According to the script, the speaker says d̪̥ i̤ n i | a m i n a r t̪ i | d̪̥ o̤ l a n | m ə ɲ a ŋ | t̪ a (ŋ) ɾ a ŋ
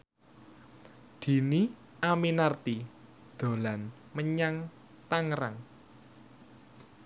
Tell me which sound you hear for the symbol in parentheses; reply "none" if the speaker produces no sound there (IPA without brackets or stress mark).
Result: ŋ